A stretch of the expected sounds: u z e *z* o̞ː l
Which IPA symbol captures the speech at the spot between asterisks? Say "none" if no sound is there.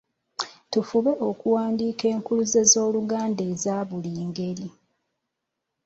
z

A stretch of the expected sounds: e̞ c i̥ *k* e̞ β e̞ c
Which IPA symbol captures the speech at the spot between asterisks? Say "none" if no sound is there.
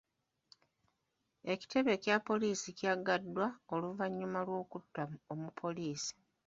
t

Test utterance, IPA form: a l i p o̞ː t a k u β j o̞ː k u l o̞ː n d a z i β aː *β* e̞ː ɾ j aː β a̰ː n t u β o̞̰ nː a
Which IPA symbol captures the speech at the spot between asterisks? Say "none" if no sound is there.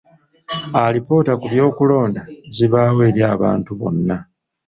w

